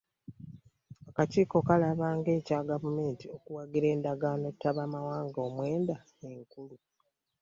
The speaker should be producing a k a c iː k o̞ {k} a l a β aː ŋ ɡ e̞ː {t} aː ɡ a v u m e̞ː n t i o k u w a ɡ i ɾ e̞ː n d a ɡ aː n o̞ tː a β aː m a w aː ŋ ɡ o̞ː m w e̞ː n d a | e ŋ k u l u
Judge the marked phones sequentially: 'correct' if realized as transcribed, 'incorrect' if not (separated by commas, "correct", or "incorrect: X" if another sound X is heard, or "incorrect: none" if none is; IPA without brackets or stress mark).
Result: correct, incorrect: c